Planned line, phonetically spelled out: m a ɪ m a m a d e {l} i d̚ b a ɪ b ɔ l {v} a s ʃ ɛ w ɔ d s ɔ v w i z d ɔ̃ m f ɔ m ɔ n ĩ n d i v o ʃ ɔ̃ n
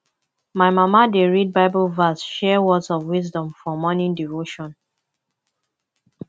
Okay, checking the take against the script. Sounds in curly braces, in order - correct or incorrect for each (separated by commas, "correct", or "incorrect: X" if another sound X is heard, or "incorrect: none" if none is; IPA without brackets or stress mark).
incorrect: ɹ, correct